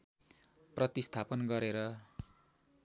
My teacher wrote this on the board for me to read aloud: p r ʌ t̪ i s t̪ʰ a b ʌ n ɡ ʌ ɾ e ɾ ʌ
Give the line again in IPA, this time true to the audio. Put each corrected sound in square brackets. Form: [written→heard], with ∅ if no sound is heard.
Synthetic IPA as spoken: p r ʌ t̪ i s t̪ʰ a [b→p] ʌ n ɡ ʌ ɾ e ɾ ʌ